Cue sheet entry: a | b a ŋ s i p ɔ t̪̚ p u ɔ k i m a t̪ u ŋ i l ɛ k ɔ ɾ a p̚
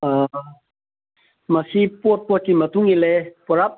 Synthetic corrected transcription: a | m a s i p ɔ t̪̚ p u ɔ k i m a t̪ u ŋ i l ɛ p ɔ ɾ a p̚